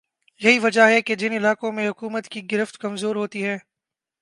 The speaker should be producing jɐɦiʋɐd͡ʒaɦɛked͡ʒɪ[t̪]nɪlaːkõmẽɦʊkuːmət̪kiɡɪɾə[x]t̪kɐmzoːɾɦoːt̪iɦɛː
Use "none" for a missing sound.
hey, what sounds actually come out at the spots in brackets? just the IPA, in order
none, f

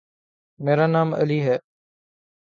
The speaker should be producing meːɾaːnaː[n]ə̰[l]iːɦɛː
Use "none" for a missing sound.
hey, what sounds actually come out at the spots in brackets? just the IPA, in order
m, l

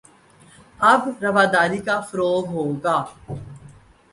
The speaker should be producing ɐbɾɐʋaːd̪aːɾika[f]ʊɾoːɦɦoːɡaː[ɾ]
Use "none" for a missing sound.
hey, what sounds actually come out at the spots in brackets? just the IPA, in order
f, none

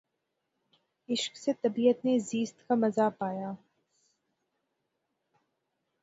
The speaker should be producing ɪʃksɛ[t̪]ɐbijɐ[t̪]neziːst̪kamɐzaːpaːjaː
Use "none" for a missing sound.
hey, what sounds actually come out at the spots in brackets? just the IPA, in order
t̪, t̪

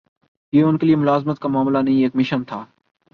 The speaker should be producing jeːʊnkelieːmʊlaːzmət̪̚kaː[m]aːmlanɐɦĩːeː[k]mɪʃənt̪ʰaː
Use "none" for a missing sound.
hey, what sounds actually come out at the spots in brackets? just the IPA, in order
m, k

